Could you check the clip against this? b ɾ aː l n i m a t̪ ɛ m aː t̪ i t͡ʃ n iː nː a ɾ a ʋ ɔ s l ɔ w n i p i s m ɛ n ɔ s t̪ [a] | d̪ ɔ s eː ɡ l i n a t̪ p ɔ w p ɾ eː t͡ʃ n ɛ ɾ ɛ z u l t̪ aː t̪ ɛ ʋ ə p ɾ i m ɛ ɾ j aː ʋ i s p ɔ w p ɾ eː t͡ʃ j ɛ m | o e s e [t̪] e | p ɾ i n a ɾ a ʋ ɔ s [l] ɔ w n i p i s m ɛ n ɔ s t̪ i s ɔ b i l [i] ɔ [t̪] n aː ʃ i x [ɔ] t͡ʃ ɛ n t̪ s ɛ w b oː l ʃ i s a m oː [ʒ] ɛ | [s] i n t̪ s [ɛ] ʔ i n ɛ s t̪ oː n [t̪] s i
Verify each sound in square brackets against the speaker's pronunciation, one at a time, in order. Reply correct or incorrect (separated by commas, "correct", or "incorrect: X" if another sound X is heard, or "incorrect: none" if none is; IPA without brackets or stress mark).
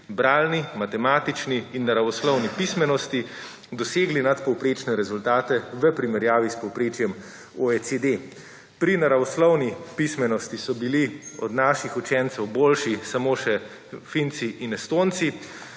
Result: incorrect: i, incorrect: d̪, correct, correct, incorrect: d̪, incorrect: u, incorrect: ʃ, incorrect: f, incorrect: i, correct